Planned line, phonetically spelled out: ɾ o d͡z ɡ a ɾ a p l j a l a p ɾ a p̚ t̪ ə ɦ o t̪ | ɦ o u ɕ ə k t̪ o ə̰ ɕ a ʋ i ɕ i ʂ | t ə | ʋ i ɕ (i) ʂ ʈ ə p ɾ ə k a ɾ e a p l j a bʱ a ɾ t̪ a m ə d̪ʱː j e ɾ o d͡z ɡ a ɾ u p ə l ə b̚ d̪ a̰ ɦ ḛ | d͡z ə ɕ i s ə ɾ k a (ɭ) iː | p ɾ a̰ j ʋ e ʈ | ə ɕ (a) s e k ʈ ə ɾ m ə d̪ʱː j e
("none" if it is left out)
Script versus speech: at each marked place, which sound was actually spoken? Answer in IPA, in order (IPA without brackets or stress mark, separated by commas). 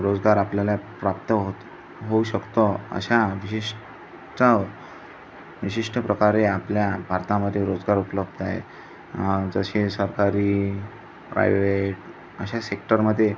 i, ɾ, a